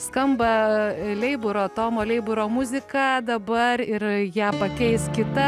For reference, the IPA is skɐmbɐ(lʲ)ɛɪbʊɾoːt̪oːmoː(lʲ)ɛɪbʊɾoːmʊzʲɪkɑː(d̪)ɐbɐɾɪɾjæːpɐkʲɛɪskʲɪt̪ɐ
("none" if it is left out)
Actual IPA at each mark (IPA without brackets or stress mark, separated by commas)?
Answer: lʲ, lʲ, d̪